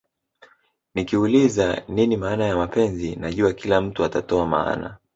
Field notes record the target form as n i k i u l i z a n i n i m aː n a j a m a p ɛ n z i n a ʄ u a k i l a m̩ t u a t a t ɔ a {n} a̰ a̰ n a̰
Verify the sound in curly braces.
incorrect: m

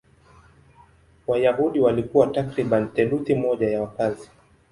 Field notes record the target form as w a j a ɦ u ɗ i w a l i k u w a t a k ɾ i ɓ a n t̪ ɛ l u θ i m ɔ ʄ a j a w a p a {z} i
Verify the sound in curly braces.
correct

